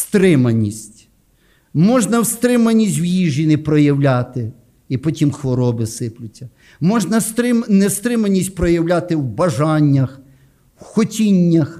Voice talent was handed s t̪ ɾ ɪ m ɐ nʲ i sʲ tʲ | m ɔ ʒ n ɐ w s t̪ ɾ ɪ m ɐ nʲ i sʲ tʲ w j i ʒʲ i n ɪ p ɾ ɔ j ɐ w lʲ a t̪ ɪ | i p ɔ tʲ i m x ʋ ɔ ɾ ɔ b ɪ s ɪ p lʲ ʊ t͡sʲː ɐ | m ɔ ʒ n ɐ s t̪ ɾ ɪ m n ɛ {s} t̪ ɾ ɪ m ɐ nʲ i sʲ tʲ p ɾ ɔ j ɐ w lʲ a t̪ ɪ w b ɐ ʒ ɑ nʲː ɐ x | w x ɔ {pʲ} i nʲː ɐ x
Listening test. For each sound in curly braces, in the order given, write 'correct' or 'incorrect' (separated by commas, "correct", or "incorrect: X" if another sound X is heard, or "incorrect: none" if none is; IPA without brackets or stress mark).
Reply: correct, incorrect: tʲ